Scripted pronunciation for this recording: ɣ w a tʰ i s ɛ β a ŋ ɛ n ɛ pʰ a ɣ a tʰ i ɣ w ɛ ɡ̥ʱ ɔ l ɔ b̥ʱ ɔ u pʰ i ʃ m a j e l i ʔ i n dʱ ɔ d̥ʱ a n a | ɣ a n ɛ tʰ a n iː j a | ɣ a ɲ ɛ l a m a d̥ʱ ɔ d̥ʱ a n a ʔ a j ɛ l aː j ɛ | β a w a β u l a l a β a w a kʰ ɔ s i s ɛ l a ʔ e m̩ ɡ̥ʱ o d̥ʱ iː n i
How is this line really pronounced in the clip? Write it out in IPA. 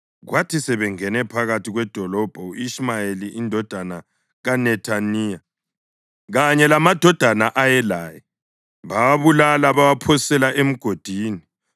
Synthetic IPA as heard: ɣ w a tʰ i s ɛ β ɛ ŋ ɛ n ɛ pʰ a ɣ a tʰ i ɣ w ɛ d̥ʱ ɔ l ɔ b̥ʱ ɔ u i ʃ m a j e l i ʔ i n dʱ ɔ d̥ʱ a n a | ɣ a n ɛ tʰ a n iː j a | ɣ a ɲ ɛ l a m a d̥ʱ ɔ d̥ʱ a n a ʔ a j ɛ l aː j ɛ | β a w a β u l a l a β a w a pʰ ɔ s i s ɛ l a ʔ e m̩ ɡ̥ʱ o d̥ʱ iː n i